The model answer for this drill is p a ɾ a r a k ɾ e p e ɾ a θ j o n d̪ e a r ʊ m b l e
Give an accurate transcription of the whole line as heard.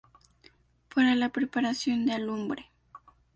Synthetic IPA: p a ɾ a l a p ɾ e p a ɾ a s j o n d̪ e a l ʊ m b ɾ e